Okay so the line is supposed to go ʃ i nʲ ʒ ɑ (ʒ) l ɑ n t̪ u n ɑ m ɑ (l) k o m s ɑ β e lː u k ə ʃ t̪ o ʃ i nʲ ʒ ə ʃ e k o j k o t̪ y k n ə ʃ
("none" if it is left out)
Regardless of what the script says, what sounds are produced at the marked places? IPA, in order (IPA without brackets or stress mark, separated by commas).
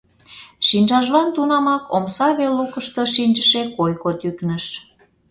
ʒ, none